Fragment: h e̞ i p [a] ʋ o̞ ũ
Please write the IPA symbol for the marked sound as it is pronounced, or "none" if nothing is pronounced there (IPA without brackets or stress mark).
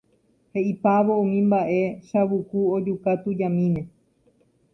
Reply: a